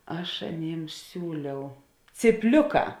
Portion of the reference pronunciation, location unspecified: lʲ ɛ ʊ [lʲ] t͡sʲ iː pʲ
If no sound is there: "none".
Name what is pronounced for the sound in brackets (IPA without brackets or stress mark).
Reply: none